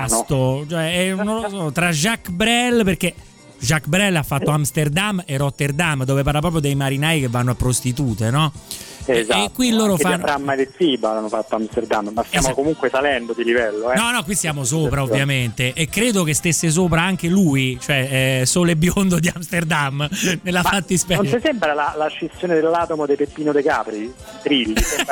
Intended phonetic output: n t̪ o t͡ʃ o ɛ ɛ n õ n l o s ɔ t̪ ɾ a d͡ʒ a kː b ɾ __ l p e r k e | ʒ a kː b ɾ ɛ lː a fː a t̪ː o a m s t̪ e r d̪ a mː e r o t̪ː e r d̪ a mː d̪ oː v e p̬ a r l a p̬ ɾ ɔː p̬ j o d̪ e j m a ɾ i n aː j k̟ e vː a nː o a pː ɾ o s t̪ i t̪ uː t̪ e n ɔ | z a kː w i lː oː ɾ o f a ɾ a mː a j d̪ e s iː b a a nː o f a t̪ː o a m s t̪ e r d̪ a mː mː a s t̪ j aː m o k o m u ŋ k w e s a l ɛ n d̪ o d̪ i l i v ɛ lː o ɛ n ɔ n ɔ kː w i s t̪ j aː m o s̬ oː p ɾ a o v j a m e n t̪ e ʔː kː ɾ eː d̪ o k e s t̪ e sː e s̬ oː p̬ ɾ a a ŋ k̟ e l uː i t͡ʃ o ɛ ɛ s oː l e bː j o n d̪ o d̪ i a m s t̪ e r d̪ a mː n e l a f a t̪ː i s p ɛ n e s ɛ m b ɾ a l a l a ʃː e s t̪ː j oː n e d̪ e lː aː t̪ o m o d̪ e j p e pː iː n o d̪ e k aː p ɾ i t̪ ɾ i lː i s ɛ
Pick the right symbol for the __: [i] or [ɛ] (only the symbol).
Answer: ɛ